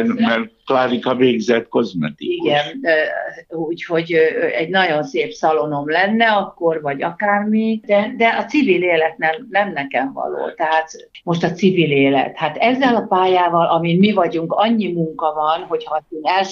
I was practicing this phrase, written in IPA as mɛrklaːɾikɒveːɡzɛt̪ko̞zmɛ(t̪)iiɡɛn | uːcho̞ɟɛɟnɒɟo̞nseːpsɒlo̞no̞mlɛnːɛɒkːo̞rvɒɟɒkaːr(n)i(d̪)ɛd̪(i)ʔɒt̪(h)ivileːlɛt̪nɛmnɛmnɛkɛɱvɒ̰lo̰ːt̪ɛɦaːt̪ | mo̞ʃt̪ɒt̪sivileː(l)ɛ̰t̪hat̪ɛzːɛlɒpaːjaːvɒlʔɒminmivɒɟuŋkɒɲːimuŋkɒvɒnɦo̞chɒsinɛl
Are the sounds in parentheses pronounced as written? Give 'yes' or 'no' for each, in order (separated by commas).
yes, no, yes, no, no, yes